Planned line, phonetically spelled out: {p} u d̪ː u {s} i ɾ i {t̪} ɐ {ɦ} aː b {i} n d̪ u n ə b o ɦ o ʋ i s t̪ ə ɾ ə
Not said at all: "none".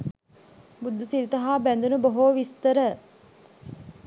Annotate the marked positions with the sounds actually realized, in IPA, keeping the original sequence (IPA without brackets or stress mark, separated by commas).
b, s, t̪, ɦ, æ